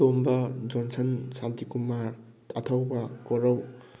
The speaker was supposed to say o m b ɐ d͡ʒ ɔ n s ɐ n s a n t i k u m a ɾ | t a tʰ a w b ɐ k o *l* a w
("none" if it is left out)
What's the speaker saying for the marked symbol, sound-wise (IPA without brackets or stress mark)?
ɾ